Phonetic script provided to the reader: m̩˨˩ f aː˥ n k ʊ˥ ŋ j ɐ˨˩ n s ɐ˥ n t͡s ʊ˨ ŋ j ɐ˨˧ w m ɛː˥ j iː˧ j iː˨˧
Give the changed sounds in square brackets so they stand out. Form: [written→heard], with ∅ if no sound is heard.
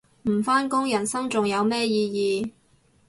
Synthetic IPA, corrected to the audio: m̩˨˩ f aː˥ n k ʊ˥ ŋ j ɐ˨˩ n s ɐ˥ [n→ŋ] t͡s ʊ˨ ŋ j ɐ˨˧ w m ɛː˥ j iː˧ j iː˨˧

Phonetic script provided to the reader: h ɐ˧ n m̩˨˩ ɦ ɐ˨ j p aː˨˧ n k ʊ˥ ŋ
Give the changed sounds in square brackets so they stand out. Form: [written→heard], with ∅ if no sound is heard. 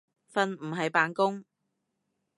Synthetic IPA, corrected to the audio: [h→f] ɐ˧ n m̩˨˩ ɦ ɐ˨ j p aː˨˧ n k ʊ˥ ŋ

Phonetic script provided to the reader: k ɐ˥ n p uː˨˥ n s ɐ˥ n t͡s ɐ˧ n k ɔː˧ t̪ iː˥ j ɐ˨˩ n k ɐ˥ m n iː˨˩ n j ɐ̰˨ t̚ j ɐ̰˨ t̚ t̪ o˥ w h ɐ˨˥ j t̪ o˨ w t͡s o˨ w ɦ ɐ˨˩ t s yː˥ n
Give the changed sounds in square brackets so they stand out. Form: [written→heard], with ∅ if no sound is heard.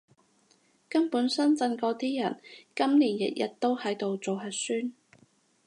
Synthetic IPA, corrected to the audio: k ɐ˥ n p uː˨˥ n s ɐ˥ n t͡s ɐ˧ n k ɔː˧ t̪ iː˥ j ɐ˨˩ n k ɐ˥ m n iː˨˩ n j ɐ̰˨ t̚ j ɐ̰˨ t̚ t̪ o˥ w h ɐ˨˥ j t̪ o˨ w t͡s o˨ w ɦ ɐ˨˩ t s yː˥ n

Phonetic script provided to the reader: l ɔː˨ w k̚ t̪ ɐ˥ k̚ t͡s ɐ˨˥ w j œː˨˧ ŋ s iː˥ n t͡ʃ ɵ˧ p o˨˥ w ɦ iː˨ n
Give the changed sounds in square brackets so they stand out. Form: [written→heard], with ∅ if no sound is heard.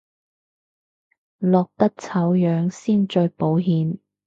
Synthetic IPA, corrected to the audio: l ɔː˨ [w→∅] k̚ t̪ ɐ˥ k̚ [t͡s→t͡sʰ] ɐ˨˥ w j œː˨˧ ŋ s iː˥ n t͡ʃ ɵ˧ p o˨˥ w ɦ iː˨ n

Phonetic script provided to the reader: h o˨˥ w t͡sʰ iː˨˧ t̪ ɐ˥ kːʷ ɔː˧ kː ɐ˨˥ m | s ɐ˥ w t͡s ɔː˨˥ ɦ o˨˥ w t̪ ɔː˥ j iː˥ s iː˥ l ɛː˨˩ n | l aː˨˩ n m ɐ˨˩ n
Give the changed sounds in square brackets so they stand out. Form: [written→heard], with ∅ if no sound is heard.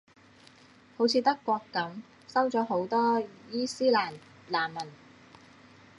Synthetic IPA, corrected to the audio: h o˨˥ w t͡sʰ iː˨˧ t̪ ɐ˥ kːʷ ɔː˧ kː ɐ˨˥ m | s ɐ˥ w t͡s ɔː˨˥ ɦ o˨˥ w t̪ ɔː˥ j iː˥ s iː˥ l [ɛː˨˩→aː˨˩] n | l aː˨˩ n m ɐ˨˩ n

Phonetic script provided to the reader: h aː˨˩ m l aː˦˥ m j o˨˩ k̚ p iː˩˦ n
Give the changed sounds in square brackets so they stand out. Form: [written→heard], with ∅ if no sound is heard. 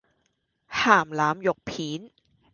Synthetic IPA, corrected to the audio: h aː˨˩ m l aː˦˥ m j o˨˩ k̚ [p→pʰ] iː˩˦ n

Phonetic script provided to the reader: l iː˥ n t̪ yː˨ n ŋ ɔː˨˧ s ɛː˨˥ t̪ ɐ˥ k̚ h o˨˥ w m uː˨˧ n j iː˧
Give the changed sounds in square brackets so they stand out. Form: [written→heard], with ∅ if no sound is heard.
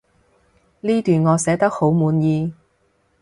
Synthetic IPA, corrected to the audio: l iː˥ [n→∅] t̪ yː˨ n ŋ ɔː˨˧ s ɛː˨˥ t̪ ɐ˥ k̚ h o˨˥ w m uː˨˧ n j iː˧

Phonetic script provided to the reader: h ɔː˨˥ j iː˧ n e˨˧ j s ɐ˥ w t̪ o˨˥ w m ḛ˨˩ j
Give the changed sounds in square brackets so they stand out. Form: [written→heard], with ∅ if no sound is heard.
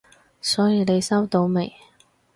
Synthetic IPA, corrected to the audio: [h→s] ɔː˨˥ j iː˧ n e˨˧ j s ɐ˥ w t̪ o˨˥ w m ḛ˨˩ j

